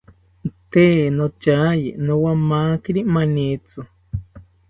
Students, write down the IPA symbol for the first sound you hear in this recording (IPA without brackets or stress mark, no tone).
t̪